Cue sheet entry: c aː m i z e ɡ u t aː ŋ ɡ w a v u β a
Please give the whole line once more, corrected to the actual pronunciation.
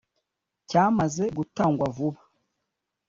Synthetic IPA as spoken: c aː m a z e ɡ u t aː ŋ ɡ w a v u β a